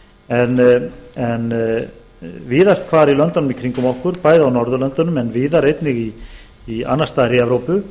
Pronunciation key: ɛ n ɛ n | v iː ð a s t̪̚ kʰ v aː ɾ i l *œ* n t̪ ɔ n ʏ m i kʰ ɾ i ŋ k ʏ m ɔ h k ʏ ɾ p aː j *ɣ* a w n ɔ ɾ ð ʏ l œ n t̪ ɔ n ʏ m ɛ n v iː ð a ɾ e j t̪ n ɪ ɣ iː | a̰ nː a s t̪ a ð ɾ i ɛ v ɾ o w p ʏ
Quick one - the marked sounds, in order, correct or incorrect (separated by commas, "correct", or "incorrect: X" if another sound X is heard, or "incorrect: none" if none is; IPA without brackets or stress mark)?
correct, incorrect: ð